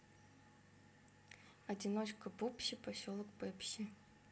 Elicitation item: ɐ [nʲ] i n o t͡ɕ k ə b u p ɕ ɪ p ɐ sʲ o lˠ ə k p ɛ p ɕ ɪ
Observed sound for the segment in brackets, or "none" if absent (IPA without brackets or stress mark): dʲ